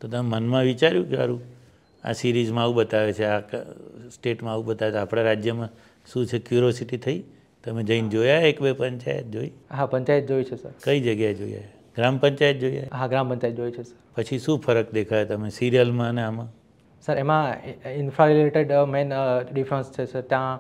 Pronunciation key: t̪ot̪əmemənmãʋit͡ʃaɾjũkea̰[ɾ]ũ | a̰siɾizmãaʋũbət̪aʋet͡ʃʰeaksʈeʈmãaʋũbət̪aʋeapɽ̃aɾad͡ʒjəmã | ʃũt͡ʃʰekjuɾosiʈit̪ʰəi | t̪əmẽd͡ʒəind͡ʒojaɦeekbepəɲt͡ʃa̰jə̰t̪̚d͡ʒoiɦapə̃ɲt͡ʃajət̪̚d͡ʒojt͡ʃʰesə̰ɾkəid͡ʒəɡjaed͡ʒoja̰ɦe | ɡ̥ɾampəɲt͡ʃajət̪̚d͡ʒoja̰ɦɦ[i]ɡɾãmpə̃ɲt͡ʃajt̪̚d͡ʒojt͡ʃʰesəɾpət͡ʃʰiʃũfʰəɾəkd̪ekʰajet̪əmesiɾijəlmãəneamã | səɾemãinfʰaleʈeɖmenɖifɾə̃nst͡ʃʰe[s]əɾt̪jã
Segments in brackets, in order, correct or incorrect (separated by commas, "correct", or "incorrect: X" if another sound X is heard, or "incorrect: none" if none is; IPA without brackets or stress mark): correct, incorrect: a, correct